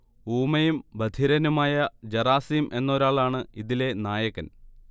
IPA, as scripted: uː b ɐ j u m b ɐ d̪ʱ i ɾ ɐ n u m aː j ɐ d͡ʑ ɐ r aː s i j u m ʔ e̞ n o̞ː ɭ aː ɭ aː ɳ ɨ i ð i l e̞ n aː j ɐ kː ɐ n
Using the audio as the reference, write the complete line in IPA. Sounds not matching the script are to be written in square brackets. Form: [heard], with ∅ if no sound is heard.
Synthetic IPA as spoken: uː [m] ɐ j u m b ɐ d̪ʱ i ɾ ɐ n u m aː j ɐ d͡ʑ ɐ r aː s i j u m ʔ e̞ [nː] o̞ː [ɾ] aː ɭ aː ɳ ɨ i ð i l e̞ n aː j ɐ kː ɐ n

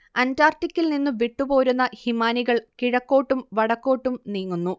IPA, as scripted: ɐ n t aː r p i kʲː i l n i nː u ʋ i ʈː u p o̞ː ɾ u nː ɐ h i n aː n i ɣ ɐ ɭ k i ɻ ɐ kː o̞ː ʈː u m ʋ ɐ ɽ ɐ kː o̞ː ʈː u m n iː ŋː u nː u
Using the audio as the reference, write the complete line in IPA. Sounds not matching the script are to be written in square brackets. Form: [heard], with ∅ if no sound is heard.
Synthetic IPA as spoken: ɐ n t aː r [t] i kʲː i l n i nː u ʋ i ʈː u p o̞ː ɾ u nː ɐ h i [m] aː n i ɣ ɐ ɭ k i ɻ ɐ kː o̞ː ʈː u m ʋ ɐ ɽ ɐ kː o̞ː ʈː u m n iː ŋː u nː u

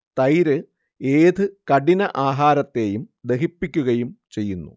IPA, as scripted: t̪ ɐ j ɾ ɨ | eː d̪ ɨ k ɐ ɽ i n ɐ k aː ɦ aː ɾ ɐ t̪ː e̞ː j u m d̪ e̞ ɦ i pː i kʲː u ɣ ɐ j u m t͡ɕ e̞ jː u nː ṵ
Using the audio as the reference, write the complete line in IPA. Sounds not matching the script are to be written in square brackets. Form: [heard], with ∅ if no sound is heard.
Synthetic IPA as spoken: t̪ ɐ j ɾ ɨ | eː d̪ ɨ k ɐ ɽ i n ɐ [ʔ] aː ɦ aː ɾ ɐ t̪ː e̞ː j u m d̪ e̞ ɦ i pː i kʲː u ɣ ɐ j u m t͡ɕ e̞ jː u nː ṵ

